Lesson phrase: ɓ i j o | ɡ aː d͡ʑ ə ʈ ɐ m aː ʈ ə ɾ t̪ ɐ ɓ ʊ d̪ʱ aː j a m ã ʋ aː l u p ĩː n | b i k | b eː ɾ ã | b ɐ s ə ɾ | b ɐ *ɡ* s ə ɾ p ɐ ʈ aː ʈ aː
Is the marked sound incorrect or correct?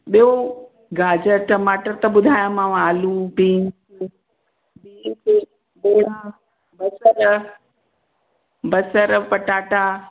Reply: incorrect